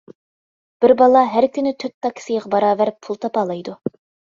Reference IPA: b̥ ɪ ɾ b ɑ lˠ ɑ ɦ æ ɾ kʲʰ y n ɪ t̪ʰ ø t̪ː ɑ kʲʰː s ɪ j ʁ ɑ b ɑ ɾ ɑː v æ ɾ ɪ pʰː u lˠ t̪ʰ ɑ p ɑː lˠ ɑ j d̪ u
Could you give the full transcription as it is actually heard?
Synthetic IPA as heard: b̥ ɪ ɾ b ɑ lˠ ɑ ɦ æ ɾ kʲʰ y n ɪ t̪ʰ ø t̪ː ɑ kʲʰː s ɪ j ʁ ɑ b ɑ ɾ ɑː v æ ɾ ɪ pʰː u lˠ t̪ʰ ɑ p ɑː lˠ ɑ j d̪ u